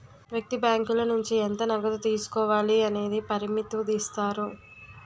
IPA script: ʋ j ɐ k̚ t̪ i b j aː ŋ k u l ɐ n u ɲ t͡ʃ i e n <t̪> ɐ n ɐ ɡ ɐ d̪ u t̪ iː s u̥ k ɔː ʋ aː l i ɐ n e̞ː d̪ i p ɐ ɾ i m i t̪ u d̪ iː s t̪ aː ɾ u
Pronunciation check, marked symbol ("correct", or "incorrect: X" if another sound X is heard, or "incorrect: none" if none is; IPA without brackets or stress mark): correct